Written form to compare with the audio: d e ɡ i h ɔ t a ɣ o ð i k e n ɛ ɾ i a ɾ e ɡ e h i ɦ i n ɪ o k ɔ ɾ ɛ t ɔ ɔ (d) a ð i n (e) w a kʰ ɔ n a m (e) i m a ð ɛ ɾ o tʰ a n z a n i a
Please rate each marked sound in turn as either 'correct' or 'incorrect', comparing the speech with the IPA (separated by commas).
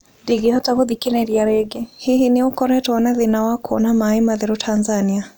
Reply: incorrect, incorrect, incorrect